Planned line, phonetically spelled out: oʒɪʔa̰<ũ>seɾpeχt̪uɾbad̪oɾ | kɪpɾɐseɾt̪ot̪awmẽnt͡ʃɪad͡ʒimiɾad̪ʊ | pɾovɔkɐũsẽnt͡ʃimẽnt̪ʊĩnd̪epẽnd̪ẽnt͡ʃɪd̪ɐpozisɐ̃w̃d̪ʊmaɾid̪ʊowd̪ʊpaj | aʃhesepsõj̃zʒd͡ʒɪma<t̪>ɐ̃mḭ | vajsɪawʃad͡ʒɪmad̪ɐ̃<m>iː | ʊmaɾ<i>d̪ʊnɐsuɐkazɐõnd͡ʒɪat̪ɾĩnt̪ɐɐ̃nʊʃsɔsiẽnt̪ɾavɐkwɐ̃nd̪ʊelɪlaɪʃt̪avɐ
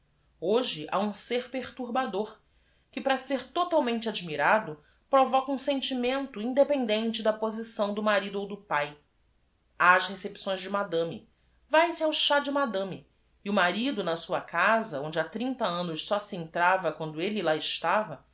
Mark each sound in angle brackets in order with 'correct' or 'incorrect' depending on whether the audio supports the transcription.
correct, incorrect: d̪, correct, correct

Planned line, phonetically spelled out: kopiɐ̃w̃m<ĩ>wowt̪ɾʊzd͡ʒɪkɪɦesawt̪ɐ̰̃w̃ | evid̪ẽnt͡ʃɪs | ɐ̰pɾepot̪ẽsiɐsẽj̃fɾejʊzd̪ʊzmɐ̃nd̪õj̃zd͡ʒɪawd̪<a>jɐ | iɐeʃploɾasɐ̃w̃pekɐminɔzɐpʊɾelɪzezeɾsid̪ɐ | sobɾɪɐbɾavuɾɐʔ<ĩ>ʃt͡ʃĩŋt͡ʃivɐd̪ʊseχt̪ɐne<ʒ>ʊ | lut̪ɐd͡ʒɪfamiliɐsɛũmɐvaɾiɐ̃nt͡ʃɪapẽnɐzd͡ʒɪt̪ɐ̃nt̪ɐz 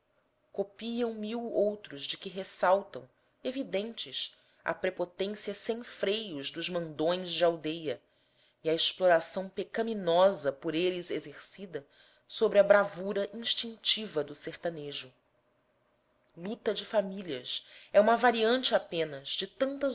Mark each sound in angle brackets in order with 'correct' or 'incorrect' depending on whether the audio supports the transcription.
incorrect: i, incorrect: e, correct, correct

